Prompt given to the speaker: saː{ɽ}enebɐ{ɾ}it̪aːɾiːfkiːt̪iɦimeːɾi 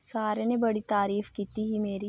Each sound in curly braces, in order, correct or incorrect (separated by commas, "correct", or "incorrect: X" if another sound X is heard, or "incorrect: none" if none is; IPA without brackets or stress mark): incorrect: ɾ, incorrect: ɽ